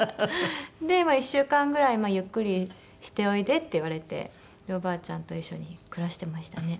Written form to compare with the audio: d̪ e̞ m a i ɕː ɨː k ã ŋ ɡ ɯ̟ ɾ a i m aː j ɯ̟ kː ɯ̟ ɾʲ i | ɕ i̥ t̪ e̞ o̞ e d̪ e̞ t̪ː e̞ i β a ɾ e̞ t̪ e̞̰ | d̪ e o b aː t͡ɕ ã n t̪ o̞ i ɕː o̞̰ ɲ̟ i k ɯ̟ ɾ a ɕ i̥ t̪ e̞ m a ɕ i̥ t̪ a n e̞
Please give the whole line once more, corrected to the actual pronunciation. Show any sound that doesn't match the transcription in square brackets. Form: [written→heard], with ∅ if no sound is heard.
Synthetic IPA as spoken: d̪ e̞ m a i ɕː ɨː k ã ŋ ɡ ɯ̟ ɾ a i m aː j ɯ̟ kː ɯ̟ ɾʲ i | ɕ i̥ t̪ e̞ o̞ [e→i] d̪ e̞ t̪ː e̞ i β a ɾ e̞ t̪ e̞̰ | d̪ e o b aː t͡ɕ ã n t̪ o̞ i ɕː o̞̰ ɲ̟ i k ɯ̟ ɾ a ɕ i̥ t̪ e̞ m a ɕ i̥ t̪ a n e̞